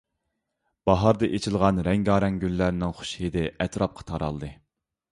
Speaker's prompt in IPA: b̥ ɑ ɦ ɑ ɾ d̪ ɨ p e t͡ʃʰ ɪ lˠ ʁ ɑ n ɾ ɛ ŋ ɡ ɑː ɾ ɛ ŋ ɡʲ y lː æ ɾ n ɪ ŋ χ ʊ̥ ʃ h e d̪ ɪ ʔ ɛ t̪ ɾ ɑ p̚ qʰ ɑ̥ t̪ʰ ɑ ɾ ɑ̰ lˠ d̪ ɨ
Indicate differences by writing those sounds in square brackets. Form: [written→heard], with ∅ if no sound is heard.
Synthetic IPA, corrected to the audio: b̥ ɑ ɦ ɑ ɾ d̪ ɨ [p→ʔ] e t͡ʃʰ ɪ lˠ ʁ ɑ n ɾ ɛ ŋ ɡ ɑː ɾ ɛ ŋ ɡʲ y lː æ ɾ n ɪ ŋ χ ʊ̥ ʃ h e d̪ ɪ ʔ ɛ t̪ ɾ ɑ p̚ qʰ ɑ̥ t̪ʰ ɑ ɾ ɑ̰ lˠ d̪ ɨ